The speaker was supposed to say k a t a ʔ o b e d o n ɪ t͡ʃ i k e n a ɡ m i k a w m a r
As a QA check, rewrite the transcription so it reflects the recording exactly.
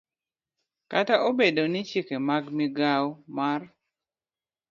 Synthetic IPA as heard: k a t a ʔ o b e d o n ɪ t͡ʃ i k e m a ɡ m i ɡ a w m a r